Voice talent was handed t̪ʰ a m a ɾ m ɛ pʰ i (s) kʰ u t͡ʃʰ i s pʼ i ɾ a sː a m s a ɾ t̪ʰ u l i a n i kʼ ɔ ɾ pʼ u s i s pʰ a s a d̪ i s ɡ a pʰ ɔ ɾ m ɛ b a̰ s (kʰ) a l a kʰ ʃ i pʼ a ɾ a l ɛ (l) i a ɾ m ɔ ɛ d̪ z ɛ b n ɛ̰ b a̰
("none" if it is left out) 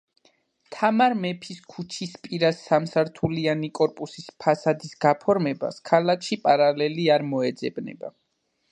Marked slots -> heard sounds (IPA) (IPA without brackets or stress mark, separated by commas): s, kʰ, l